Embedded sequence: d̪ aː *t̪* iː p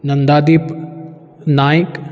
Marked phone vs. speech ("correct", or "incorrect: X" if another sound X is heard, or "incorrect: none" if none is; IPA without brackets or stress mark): incorrect: d̪